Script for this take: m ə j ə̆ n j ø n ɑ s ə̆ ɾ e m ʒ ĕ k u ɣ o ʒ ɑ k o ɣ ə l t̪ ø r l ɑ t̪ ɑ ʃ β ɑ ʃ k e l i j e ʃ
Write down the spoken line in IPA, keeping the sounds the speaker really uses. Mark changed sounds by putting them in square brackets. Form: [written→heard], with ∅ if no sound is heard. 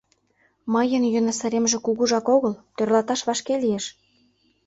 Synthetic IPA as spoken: m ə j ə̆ n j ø n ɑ s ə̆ ɾ e m ʒ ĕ k u ɣ [o→u] ʒ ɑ k o ɣ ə l t̪ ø r l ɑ t̪ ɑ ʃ β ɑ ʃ k e l i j e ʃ